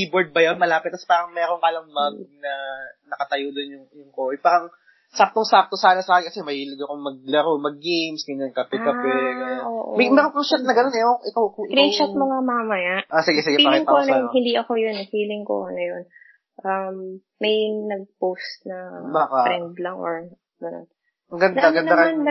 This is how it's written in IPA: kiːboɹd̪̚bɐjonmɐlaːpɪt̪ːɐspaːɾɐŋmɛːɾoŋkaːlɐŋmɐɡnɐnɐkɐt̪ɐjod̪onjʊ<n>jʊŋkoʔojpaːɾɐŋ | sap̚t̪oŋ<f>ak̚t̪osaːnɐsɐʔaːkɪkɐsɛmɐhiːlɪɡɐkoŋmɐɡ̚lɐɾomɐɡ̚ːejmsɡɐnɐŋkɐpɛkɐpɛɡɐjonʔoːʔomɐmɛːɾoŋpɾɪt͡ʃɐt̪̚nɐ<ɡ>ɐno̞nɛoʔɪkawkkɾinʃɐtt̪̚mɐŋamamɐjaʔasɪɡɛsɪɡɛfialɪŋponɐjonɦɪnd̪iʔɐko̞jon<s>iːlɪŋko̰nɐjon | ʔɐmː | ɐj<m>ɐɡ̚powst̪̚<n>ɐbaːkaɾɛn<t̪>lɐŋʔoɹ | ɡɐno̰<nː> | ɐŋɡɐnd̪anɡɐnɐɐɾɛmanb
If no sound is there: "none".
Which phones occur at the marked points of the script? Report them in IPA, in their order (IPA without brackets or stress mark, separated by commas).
ŋ, s, ɡ, f, n, n, d̪, n